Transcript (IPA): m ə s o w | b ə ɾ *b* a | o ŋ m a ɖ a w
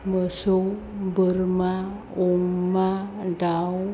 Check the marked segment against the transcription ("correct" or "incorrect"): incorrect